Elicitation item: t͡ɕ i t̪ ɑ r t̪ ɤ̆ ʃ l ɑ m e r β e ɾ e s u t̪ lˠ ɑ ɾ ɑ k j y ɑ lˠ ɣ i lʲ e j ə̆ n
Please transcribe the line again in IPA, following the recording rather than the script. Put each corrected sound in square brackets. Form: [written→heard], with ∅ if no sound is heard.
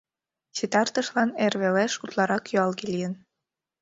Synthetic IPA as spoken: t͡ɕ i t̪ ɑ r t̪ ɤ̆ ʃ l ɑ [m→n] e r β e [ɾ→l] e [s→ʃ] u t̪ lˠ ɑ ɾ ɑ k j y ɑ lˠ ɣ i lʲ [e→i] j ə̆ n